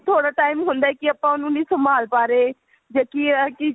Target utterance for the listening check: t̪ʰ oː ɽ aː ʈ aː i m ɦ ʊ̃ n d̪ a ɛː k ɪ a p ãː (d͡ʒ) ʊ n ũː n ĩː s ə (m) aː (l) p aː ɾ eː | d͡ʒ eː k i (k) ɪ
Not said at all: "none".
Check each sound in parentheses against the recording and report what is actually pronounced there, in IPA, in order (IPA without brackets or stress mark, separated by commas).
none, m, l, k